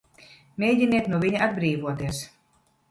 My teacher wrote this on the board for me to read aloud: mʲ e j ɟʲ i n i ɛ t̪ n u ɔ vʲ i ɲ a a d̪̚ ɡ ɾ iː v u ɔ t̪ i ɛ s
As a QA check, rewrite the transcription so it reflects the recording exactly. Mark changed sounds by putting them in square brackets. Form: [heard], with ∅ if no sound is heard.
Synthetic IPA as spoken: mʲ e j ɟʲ i n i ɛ t̪ n u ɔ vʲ i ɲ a a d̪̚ [b] ɾ iː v u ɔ t̪ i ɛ s